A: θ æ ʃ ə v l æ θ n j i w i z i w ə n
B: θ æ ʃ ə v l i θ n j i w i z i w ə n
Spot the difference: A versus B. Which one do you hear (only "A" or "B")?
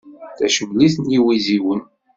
B